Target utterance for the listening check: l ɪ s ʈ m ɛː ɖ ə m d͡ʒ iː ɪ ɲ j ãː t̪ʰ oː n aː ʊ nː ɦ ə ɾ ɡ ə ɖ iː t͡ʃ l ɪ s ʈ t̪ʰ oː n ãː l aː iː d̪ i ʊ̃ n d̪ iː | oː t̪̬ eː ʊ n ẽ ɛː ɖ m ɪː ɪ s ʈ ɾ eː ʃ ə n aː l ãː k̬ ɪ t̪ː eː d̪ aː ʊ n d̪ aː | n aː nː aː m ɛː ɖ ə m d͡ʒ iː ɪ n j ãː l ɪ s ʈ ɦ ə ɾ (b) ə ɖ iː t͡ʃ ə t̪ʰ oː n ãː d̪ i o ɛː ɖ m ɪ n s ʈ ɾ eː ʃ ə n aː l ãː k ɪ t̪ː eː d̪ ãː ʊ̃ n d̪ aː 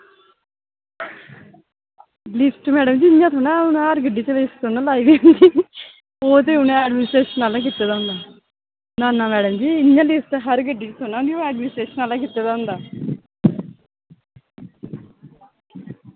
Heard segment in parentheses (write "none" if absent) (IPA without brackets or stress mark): ɡ